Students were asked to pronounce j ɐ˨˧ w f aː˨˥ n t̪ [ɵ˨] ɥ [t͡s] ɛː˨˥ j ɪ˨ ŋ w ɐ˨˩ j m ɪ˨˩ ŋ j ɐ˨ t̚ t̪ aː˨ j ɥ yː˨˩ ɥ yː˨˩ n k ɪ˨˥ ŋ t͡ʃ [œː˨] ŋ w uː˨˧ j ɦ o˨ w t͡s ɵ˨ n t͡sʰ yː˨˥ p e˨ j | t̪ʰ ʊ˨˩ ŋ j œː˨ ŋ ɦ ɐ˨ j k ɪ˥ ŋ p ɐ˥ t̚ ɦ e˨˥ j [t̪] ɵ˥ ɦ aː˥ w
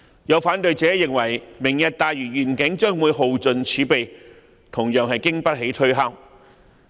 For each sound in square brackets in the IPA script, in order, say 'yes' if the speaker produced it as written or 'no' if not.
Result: yes, yes, no, no

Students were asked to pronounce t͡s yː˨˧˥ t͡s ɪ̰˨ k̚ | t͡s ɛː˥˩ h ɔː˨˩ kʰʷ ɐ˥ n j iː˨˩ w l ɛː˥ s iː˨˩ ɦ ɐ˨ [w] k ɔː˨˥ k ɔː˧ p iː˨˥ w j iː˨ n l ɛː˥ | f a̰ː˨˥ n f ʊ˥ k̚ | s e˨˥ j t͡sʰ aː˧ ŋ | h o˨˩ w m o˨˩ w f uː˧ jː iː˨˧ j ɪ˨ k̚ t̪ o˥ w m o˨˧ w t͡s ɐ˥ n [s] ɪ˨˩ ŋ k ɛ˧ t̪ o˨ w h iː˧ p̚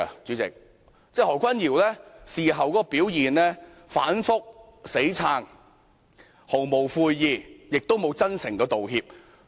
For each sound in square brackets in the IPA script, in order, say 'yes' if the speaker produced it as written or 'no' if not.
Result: yes, yes

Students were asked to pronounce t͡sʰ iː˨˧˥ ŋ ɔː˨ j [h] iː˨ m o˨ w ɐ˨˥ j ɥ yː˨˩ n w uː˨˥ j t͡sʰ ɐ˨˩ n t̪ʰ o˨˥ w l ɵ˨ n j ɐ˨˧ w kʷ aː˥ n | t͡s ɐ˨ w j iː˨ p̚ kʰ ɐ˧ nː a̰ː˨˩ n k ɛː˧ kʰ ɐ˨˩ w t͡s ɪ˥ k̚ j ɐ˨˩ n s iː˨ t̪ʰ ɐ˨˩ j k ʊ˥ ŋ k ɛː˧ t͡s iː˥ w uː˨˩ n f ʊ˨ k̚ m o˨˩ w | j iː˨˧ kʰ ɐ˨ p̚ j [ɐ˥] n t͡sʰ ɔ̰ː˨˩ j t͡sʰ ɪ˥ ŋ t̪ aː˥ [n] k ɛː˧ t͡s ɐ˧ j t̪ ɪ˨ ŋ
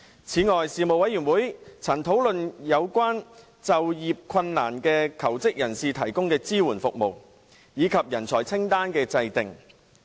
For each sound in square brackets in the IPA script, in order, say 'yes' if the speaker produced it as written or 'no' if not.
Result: no, no, yes

